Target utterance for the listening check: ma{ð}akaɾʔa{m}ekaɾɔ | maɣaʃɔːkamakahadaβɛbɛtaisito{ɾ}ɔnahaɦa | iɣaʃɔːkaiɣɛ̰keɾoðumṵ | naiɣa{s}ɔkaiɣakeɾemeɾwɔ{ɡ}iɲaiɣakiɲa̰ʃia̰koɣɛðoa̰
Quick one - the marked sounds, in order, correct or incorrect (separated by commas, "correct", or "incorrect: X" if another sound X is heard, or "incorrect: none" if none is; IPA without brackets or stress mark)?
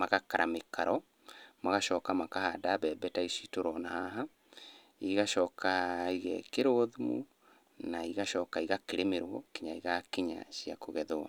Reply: incorrect: ɣ, correct, correct, incorrect: ʃ, incorrect: k